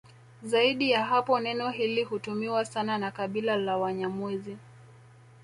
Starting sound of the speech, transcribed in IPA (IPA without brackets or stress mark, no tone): z